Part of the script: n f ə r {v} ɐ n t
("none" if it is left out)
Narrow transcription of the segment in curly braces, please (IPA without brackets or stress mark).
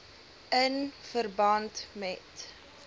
b